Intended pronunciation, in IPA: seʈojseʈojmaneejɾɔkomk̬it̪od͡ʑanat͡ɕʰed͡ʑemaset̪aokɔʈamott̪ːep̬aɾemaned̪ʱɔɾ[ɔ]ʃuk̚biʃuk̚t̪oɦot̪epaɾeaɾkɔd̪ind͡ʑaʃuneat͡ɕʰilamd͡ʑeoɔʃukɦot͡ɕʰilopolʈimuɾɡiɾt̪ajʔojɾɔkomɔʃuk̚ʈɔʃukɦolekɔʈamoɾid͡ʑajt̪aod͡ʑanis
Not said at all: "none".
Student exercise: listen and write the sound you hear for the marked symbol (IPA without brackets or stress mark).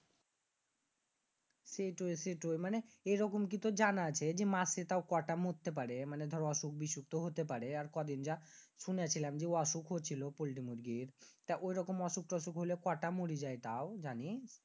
ɔ